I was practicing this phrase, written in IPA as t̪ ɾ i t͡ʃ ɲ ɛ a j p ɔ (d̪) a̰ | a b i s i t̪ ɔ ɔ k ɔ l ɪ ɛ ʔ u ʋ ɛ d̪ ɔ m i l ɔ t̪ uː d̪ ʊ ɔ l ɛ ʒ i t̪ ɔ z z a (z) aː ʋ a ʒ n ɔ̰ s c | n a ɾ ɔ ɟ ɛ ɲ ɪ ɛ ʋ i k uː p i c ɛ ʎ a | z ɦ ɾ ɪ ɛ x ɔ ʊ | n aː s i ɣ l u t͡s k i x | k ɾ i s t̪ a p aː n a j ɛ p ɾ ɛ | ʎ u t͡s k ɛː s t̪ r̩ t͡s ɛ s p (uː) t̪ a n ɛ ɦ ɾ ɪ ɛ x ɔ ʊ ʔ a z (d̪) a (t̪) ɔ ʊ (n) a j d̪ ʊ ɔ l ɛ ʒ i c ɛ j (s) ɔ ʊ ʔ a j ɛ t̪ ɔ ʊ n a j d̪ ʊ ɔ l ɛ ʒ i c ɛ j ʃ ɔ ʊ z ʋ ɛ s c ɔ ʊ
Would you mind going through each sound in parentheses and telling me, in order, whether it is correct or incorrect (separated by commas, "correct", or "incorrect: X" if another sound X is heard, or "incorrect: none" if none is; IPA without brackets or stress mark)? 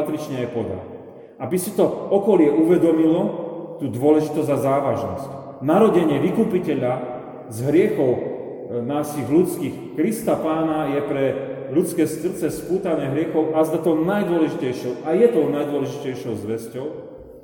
correct, correct, correct, correct, correct, correct, incorrect: ʃ